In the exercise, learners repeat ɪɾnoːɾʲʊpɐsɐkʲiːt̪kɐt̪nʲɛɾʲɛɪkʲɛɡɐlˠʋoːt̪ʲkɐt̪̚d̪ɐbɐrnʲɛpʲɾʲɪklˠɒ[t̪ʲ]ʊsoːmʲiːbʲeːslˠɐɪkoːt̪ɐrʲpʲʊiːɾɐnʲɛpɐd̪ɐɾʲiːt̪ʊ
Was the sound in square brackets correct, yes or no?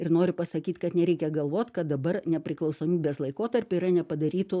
no